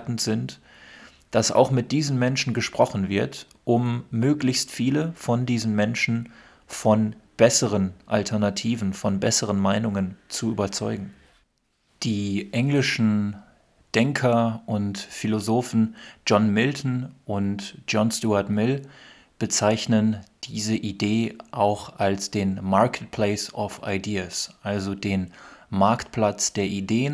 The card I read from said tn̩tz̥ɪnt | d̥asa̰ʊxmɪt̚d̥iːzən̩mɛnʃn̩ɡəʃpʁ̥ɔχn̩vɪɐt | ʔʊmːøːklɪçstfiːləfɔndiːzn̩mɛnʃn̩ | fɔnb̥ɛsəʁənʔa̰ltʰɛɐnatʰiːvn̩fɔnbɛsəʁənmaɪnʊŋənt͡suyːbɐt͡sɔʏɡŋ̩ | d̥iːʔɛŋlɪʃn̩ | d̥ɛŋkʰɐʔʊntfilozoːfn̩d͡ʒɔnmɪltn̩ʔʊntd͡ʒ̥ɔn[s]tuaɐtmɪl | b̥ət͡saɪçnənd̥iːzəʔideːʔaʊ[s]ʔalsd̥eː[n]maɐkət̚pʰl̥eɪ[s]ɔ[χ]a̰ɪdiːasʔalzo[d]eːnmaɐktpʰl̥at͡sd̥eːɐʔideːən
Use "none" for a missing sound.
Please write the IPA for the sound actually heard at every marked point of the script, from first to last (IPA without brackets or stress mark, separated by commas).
s, x, n, s, f, d